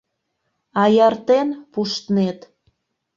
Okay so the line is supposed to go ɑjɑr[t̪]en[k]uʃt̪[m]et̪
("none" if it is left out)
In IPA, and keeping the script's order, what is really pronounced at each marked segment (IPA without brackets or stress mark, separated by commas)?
t̪, p, n